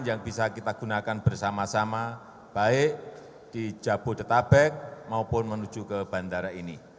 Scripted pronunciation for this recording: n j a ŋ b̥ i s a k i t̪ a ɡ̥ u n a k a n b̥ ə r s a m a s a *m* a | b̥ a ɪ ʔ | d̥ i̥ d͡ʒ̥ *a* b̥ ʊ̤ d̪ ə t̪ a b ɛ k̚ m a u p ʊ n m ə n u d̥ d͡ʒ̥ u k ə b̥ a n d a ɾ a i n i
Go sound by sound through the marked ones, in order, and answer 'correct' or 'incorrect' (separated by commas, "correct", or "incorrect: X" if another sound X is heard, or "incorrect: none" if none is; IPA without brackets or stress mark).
correct, correct